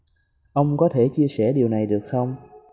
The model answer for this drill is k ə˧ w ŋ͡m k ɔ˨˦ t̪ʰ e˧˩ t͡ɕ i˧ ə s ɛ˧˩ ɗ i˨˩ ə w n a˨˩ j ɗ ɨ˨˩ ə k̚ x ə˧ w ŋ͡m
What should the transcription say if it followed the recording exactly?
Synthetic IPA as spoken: ʔ ə˧ w ŋ͡m k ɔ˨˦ t̪ʰ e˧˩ t͡ɕ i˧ ə s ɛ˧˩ ɗ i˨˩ ə w n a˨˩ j ɗ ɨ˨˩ ə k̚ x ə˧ w ŋ͡m